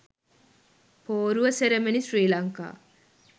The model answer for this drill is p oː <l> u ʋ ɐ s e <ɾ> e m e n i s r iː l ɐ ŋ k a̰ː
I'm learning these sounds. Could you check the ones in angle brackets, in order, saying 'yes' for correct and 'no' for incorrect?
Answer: no, yes

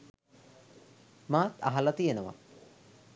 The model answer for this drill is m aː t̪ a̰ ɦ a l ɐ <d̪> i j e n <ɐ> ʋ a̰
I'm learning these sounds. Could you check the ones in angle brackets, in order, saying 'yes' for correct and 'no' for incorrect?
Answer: no, no

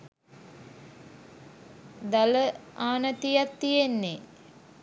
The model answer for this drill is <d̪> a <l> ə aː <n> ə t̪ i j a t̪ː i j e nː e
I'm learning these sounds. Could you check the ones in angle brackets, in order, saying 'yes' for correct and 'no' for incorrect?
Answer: yes, yes, yes

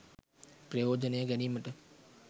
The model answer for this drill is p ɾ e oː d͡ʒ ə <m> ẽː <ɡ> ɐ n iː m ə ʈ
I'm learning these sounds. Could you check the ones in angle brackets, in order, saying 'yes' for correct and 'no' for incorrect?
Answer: no, yes

